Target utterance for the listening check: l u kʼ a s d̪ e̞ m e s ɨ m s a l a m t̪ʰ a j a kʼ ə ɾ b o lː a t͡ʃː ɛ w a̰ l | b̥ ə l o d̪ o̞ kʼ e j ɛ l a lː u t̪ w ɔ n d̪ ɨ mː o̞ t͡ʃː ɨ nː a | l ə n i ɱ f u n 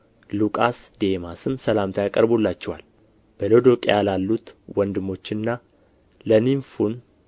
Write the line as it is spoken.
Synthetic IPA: l u kʼ a s d̪ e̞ m a s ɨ m s ə l a m t̪ʰ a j a kʼ ə ɾ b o lː a t͡ʃː ɛ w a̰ l | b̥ ə l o d̪ o̞ kʼ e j a l a lː u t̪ w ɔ n d̪ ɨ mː o̞ t͡ʃː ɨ nː a | l ə n i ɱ f u n